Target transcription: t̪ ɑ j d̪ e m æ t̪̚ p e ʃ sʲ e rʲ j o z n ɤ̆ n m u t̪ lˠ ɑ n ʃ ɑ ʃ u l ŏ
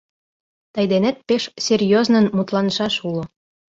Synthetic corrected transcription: t̪ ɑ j d̪ e n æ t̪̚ p e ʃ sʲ e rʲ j o z n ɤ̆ n m u t̪ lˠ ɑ n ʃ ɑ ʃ u l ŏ